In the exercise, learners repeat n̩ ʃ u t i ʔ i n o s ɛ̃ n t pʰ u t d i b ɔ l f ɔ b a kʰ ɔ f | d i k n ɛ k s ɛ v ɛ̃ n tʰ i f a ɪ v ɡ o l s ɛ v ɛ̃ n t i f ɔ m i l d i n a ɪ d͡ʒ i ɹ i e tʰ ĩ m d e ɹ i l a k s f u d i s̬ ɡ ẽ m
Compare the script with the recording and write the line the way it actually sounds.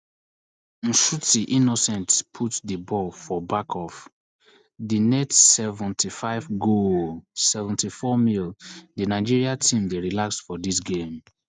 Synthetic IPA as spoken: n̩ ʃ u t i ʔ i n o s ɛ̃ n t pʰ u t d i b ɔ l f ɔ b a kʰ ɔ f | d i n ɛ t s ɛ v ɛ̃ n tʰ i f a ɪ v ɡ o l s ɛ v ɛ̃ n t i f ɔ m i l d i n a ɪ d͡ʒ i ɹ i a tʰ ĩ m d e ɹ i l a k s f ɔ d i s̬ ɡ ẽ m